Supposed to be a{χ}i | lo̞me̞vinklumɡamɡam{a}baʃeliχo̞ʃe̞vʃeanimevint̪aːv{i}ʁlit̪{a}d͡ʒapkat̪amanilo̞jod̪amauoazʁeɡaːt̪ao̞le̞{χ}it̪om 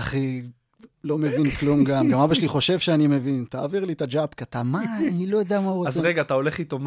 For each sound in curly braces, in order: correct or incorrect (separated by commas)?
correct, correct, correct, correct, correct